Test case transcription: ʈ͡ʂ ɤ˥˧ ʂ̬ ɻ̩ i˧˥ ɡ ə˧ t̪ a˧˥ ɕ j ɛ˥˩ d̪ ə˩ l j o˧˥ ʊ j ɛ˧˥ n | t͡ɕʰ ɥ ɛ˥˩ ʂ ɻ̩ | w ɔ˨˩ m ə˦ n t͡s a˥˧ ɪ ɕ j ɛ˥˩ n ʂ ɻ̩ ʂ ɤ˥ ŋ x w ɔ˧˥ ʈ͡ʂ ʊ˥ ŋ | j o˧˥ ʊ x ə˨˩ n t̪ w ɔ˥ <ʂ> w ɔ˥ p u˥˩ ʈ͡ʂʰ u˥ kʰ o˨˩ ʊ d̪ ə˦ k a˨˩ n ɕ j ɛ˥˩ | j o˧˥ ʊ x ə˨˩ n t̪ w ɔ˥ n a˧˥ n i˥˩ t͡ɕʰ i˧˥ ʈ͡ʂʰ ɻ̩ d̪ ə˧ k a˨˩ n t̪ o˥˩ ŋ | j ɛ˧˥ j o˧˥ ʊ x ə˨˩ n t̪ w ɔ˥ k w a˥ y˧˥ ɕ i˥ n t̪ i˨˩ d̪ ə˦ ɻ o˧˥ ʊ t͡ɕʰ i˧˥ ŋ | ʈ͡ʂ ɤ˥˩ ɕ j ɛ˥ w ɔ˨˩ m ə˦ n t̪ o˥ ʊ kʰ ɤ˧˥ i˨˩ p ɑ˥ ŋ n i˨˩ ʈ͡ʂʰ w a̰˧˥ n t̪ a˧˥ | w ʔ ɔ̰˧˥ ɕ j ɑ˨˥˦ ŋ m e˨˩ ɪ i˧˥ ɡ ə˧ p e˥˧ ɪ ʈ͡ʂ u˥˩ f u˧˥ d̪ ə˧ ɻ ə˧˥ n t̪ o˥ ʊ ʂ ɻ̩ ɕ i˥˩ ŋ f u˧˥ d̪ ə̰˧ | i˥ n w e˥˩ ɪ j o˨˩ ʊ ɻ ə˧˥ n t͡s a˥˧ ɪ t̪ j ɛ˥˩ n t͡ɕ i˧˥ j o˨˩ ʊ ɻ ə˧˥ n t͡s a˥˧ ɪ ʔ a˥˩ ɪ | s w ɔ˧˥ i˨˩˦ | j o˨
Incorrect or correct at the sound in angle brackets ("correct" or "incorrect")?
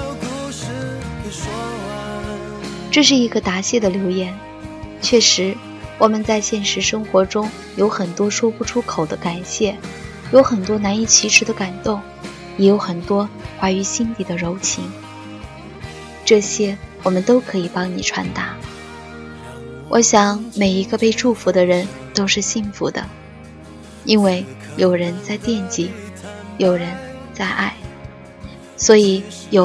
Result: correct